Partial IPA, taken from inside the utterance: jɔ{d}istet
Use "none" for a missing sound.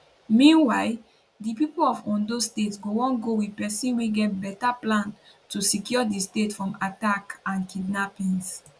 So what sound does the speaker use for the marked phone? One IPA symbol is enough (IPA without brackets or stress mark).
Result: d